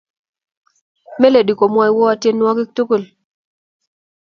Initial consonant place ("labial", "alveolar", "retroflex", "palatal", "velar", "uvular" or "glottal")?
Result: labial